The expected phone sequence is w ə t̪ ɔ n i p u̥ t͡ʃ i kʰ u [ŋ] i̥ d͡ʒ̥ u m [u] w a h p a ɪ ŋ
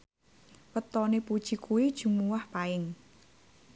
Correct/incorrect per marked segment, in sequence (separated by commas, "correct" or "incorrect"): incorrect, correct